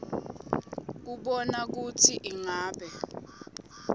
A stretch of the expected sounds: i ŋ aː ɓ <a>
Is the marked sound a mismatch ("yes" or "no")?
yes